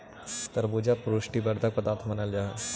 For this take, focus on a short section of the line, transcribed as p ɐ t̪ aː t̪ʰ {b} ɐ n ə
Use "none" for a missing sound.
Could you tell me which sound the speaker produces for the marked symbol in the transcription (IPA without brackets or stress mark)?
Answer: m